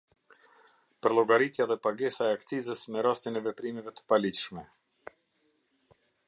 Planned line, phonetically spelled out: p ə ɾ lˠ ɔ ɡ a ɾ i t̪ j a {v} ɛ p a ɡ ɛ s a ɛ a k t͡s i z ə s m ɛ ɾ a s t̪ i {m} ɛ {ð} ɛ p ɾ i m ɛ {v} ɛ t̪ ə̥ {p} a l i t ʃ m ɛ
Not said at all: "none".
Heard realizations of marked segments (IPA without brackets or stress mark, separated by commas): ð, n, v, v, p